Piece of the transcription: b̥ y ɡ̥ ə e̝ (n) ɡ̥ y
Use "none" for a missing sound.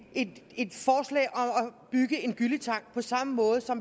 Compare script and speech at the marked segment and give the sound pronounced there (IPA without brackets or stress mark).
n